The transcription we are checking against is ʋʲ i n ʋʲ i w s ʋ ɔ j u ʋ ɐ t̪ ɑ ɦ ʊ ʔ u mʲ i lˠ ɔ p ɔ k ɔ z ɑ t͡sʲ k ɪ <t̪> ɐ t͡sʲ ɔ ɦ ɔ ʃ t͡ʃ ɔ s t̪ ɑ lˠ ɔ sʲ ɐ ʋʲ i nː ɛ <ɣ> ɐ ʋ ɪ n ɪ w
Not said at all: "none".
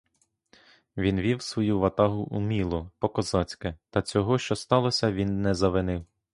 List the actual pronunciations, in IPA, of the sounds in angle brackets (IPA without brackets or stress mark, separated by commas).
t̪, z